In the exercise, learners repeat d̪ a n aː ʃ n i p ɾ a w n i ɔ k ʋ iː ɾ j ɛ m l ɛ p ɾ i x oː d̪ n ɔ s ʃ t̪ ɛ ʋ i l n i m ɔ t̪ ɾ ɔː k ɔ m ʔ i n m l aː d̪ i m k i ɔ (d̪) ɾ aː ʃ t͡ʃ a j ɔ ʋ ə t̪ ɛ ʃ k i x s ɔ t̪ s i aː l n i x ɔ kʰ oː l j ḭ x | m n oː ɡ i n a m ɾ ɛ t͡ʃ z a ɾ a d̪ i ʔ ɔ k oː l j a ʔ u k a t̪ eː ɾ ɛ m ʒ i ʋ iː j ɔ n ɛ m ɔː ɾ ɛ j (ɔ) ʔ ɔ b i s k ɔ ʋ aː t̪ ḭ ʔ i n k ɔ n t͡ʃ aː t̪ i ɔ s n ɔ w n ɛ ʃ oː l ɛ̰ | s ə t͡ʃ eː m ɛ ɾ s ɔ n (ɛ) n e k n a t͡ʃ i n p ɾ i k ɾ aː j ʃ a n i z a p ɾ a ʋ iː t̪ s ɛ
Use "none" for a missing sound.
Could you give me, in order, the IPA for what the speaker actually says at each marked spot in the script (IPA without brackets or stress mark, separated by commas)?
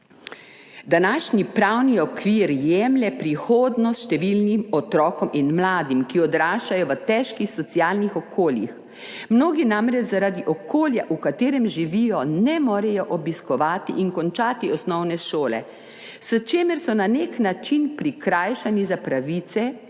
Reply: d̪, ɔ, a